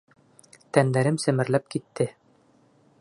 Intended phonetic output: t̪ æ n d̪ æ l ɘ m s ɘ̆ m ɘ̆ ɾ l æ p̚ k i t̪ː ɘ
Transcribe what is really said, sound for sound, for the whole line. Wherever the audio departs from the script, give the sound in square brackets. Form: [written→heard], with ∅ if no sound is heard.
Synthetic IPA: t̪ æ n d̪ æ [l→ɾ] ɘ m s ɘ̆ m ɘ̆ ɾ l æ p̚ k i t̪ː ɘ